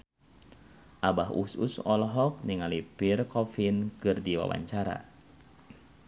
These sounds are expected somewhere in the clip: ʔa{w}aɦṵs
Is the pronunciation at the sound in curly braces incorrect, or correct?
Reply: incorrect